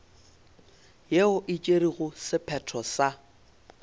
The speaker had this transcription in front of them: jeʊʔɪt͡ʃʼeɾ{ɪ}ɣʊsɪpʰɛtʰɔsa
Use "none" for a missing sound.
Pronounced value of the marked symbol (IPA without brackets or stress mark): i